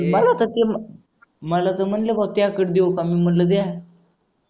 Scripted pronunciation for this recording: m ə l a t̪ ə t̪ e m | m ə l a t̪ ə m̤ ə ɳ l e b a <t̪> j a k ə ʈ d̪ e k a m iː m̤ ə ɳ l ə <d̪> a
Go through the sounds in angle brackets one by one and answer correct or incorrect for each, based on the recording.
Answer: correct, correct

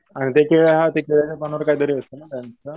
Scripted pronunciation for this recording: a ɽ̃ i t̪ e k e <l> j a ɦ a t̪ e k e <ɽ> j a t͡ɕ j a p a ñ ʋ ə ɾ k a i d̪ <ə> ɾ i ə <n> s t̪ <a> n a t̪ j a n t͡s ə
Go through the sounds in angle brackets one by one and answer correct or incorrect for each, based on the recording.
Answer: incorrect, incorrect, correct, incorrect, incorrect

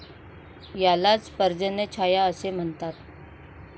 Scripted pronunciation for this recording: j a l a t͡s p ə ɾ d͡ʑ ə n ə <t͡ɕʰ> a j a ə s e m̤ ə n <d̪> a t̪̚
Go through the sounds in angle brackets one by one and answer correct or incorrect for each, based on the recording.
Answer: correct, incorrect

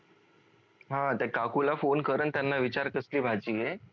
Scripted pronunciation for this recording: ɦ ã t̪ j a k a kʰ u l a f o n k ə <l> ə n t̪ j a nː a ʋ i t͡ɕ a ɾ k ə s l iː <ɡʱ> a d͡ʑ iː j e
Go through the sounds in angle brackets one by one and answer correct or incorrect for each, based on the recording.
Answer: incorrect, incorrect

